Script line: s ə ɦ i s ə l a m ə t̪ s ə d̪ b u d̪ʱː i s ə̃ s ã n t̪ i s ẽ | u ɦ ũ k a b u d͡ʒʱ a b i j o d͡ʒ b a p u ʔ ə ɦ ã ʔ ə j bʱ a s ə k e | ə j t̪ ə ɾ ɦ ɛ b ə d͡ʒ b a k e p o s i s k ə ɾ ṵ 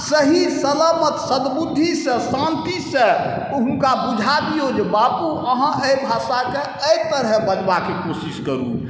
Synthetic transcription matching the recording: s ə ɦ i s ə l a m ə t̪ s ə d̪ b u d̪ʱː i s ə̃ s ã n t̪ i s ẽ | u ɦ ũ k a b u d͡ʒʱ a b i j o d͡ʒ b a p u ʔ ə ɦ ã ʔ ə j bʱ a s a k e | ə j t̪ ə ɾ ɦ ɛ b ə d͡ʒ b a k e k o s i s k ə ɾ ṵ